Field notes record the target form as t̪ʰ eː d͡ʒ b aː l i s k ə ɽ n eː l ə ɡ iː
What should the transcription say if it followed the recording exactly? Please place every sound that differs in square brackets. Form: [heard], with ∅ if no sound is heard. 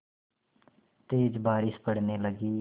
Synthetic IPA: [t̪] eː d͡ʒ b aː [ɾ] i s [p] ə ɽ n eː l ə ɡ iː